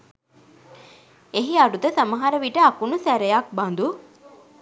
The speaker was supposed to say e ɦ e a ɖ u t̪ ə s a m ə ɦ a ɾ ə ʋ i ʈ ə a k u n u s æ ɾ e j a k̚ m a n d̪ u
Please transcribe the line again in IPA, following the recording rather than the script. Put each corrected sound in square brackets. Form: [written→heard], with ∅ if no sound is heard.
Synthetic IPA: e ɦ [e→i] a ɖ u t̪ ə s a m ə ɦ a ɾ ə ʋ i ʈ ə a k u n u s æ ɾ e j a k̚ [m→b] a n d̪ u